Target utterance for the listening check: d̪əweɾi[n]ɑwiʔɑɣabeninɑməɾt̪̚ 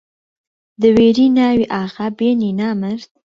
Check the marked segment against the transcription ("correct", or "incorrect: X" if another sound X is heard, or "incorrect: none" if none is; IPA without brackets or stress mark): correct